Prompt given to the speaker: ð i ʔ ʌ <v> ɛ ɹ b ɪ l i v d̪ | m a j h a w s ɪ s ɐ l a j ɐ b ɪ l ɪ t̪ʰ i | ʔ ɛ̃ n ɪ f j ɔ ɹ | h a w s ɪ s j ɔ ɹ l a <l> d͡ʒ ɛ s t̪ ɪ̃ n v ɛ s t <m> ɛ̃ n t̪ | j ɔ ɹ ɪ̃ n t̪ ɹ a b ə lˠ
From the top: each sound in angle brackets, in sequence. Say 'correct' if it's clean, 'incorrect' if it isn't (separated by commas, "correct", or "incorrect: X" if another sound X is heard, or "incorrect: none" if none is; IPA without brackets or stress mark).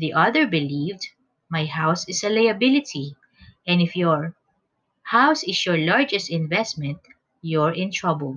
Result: incorrect: ð, incorrect: ɹ, correct